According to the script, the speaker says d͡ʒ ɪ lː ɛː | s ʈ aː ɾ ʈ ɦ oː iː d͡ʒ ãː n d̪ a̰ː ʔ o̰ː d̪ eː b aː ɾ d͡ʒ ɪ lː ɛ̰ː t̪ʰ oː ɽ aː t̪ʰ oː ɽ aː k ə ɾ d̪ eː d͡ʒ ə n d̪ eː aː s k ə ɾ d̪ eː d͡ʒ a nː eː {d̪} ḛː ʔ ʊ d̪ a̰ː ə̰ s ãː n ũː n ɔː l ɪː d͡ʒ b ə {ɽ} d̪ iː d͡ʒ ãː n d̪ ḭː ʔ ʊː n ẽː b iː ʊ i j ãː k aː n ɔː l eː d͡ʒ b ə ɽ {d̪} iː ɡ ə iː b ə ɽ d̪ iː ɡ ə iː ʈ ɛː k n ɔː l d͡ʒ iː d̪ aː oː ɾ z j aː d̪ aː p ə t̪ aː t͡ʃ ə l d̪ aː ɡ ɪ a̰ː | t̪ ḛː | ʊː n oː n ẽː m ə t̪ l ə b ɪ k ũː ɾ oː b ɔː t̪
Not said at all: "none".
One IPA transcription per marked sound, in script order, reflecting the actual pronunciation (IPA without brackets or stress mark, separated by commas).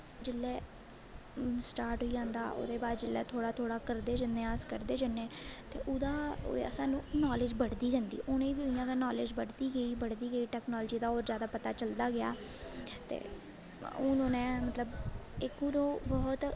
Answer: t̪, ɽ, d̪